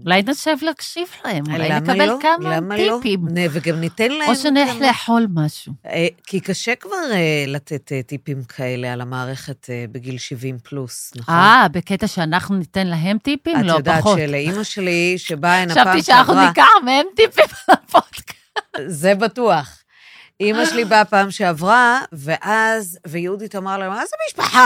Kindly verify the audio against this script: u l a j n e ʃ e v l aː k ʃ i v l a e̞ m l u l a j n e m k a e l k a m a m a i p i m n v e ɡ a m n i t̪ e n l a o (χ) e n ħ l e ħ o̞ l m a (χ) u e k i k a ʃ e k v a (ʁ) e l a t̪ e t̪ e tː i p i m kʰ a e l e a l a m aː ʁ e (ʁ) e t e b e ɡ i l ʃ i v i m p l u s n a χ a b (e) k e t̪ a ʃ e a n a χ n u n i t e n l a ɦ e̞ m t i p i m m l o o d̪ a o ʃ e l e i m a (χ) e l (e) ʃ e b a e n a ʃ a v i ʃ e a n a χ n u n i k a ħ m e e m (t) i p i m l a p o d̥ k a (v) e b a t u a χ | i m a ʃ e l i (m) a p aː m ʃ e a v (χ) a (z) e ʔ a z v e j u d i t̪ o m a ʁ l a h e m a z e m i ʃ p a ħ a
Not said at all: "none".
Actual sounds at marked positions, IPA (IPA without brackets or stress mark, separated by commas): ʃ, ʃ, ʁ, χ, e, ʃ, i, t, z, b, ʁ, v